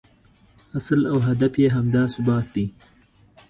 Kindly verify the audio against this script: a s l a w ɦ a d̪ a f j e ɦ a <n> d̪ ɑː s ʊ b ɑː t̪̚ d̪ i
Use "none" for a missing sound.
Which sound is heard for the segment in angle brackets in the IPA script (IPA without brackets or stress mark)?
m